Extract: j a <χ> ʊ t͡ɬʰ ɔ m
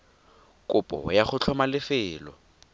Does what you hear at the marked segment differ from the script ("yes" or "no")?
no